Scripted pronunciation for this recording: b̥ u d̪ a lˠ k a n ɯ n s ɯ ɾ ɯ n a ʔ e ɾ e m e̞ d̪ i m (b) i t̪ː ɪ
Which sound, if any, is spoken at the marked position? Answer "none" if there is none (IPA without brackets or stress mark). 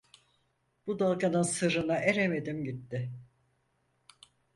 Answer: ɟ